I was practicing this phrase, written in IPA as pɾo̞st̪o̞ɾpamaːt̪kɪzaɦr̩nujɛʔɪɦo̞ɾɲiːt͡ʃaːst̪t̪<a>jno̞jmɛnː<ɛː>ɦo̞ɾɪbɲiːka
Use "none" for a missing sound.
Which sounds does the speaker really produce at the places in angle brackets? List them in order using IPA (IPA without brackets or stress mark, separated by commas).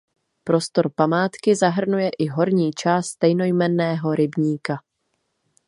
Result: ɛ, ɛː